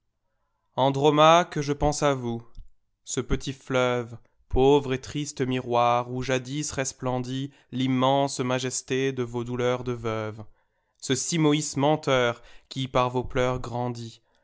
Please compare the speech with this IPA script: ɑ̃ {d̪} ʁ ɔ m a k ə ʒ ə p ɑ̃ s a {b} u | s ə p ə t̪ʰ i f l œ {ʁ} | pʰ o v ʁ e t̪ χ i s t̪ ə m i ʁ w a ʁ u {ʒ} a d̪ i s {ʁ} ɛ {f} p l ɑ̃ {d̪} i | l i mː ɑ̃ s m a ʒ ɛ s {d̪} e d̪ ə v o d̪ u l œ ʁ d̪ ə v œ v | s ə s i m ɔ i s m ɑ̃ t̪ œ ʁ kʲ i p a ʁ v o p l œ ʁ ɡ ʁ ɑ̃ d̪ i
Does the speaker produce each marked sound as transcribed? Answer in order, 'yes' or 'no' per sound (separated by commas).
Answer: yes, no, no, yes, yes, no, yes, no